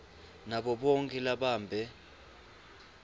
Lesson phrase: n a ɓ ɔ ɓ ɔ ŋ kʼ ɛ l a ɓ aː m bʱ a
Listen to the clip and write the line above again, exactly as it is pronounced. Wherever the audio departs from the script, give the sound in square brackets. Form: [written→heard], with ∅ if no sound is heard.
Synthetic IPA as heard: n a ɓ ɔ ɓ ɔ ŋ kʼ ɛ l a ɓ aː m bʱ [a→ɛ]